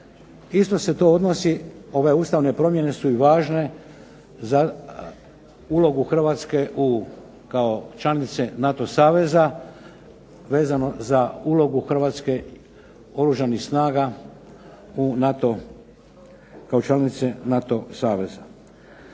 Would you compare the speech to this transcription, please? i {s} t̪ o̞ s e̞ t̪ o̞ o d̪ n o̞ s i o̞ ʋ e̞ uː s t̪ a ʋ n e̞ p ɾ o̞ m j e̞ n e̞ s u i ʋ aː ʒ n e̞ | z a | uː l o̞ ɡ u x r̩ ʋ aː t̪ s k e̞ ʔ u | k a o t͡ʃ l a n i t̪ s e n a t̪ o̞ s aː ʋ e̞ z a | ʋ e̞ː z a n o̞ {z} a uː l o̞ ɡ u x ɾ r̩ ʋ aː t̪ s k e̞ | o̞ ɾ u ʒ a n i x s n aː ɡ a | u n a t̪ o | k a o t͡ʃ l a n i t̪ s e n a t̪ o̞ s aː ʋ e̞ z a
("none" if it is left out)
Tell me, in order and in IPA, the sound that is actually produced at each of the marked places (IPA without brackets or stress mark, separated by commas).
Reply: s, z